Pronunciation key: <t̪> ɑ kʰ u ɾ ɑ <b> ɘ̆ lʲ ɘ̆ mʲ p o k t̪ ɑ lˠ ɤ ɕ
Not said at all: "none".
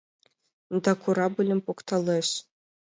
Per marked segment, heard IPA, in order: d̪, b

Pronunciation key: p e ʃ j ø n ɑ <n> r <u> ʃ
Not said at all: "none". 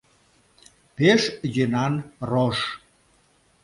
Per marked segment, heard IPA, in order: n, o

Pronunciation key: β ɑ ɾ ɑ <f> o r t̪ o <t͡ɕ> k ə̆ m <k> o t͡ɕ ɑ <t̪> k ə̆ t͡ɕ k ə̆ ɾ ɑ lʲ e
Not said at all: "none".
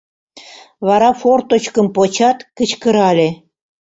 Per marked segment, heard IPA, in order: f, t͡ɕ, p, t̪

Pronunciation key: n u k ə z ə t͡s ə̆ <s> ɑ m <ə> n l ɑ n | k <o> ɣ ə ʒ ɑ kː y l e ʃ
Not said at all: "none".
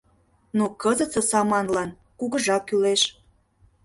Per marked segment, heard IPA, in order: s, ɑ, u

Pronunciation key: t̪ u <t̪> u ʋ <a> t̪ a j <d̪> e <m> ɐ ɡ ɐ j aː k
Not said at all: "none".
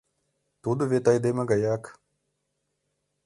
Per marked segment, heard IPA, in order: d̪, e, d̪, m

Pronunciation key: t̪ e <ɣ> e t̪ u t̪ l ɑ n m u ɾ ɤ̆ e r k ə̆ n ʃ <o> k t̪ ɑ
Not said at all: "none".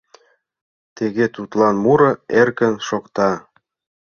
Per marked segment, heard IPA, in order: ɣ, o

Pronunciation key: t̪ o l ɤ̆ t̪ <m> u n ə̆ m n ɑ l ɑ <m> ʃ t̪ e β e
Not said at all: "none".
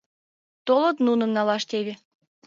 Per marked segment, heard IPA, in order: n, none

